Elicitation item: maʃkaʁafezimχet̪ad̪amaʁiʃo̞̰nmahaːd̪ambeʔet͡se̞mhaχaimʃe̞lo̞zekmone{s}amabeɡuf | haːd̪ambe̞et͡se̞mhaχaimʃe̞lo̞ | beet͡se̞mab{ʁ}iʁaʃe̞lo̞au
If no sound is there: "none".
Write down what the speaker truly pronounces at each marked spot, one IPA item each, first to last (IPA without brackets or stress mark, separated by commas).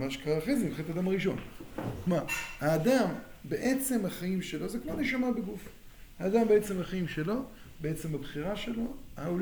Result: ʃ, χ